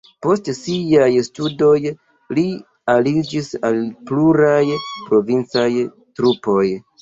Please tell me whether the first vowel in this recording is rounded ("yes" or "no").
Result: yes